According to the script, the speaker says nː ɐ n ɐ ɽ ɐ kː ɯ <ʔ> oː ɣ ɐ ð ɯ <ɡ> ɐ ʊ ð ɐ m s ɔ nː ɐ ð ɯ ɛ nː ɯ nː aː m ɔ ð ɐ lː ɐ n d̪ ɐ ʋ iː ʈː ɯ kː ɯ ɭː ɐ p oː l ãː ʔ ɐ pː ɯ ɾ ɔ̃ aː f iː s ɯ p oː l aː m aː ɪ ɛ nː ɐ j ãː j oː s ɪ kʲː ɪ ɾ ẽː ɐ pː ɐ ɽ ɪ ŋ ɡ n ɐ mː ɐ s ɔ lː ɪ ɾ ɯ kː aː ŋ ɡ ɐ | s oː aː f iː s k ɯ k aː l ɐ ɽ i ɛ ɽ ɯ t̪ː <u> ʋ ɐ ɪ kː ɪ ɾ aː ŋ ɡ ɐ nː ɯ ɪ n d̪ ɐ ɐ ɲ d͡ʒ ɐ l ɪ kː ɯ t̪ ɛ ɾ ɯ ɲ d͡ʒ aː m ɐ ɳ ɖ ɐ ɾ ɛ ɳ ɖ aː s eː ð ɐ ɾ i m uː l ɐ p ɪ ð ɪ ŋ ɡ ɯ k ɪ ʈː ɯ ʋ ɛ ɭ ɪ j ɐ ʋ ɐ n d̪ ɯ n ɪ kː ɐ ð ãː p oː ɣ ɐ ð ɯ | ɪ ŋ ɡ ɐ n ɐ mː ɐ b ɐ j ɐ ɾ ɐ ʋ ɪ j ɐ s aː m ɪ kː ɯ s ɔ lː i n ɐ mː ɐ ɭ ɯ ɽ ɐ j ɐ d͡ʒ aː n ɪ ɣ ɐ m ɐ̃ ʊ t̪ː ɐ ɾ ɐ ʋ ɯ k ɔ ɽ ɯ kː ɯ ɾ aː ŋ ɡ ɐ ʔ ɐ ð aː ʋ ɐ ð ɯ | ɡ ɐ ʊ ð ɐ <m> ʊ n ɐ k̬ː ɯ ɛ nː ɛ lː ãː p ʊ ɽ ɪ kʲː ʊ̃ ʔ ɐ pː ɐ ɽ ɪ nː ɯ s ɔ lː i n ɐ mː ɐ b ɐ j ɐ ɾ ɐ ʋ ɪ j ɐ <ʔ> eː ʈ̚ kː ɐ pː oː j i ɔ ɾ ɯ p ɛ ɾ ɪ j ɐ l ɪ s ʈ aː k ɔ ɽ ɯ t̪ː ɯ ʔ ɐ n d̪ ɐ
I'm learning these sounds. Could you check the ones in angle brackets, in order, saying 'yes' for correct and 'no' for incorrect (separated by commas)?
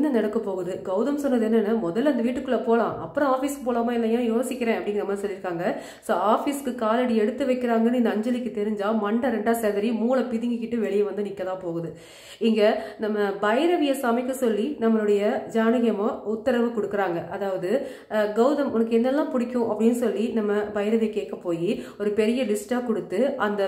no, yes, no, yes, no